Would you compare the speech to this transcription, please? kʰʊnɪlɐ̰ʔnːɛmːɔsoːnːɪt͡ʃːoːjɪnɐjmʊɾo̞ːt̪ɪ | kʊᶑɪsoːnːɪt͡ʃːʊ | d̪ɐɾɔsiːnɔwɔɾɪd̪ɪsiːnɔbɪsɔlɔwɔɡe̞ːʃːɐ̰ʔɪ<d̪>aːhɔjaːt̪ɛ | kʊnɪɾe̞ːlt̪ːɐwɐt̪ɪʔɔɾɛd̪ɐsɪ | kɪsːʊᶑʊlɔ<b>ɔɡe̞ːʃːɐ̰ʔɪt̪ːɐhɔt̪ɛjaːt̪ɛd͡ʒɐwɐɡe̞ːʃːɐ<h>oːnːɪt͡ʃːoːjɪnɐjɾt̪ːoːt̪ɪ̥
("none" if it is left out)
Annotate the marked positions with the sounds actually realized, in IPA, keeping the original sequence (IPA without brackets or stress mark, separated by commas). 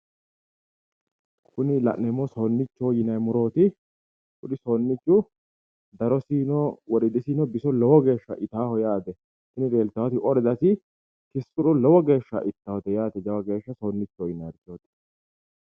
t̪, w, s